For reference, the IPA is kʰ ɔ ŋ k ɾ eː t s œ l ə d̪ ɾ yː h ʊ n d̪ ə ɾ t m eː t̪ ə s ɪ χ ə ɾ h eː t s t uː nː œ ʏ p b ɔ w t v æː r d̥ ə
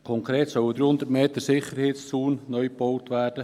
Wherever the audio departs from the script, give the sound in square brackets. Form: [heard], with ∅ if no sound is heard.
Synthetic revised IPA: kʰ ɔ ŋ k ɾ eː t s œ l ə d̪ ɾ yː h ʊ n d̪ ə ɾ t m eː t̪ ə s ɪ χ ə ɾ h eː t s [t͡s] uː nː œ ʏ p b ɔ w t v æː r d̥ ə

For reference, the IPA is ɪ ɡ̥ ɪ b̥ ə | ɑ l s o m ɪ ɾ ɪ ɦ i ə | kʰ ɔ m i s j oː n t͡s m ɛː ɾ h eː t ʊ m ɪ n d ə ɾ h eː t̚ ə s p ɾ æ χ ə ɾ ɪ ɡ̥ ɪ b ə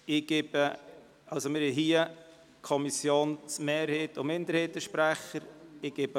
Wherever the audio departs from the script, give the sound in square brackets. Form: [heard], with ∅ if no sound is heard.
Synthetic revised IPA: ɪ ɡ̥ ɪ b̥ ə | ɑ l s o m ɪ ɾ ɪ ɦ i ə | kʰ ɔ m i s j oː n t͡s m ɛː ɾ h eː t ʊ m ɪ n d ə ɾ h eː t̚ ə [ʃ] p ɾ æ χ ə ɾ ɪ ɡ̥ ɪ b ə

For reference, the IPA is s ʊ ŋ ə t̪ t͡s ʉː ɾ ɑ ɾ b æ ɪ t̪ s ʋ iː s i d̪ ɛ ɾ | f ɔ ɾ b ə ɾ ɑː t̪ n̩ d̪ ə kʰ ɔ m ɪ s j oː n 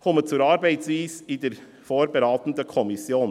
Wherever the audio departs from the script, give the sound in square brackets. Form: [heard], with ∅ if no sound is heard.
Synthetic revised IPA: [h] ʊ [m] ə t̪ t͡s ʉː ɾ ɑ ɾ b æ ɪ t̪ s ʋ iː s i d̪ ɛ ɾ | f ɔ ɾ b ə ɾ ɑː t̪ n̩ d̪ ə kʰ ɔ m ɪ s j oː n

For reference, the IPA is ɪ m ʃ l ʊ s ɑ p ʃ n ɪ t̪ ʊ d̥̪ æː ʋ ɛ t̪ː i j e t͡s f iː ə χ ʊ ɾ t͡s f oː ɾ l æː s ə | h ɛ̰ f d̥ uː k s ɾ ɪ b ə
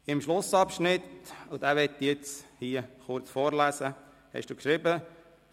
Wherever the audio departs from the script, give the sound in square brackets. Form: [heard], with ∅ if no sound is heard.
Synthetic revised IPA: ɪ m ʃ l ʊ s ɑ p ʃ n ɪ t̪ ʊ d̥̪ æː ʋ ɛ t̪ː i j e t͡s [h] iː ə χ ʊ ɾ t͡s f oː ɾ l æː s ə | h ɛ̰ [ʃ] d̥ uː k [ʃ] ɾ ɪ b ə

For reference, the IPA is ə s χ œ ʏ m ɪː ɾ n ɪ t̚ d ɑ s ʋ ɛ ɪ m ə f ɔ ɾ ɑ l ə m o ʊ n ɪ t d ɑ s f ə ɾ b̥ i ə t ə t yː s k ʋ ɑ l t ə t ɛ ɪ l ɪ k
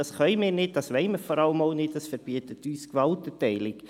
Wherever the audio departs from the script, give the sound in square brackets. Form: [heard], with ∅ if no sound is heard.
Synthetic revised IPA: [ɑ] s χ œ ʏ m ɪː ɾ n ɪ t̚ d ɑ s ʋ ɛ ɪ m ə f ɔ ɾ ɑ l ə m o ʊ n ɪ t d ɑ s f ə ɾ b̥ i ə t ə t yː s k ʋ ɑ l t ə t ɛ ɪ l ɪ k

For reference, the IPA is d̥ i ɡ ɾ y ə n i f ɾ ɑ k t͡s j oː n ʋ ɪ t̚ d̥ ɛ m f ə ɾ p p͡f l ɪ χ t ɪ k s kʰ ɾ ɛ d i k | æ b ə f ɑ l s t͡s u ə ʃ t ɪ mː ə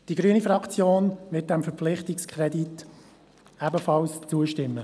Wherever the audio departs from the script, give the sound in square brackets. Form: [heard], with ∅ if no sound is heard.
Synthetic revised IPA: d̥ i ɡ ɾ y ə n i f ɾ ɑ k t͡s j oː n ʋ ɪ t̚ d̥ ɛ m f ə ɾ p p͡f l ɪ χ t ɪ k s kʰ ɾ ɛ d i [t] | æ b ə f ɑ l s t͡s u ə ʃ t ɪ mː ə

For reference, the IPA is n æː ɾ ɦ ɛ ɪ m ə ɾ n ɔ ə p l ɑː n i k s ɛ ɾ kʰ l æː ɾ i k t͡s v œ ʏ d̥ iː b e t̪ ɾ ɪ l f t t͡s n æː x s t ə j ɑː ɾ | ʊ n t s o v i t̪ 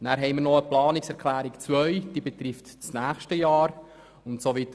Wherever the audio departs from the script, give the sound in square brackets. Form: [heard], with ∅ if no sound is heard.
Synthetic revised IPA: n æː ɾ ɦ ɛ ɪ m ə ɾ n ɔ ə p l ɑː n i k s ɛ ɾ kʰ l æː ɾ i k t͡s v œ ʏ d̥ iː b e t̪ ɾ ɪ [∅] f t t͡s n æː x [ʃ] t ə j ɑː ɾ | ʊ n t s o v i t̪

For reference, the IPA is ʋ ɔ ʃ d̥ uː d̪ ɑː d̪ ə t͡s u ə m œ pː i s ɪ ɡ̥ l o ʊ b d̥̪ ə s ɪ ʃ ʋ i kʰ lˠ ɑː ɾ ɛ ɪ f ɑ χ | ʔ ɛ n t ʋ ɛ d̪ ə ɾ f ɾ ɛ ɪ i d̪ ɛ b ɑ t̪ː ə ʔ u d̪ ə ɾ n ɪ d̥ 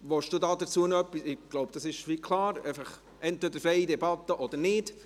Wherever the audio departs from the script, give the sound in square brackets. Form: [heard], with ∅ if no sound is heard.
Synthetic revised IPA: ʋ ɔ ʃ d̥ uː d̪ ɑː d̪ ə t͡s u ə [n] œ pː i s ɪ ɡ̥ l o ʊ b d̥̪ [ɑ] s ɪ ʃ ʋ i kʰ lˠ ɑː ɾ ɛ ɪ f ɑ χ | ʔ ɛ n t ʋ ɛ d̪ ə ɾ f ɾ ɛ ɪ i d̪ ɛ b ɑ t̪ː ə ʔ [ɔ] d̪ ə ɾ n ɪ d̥

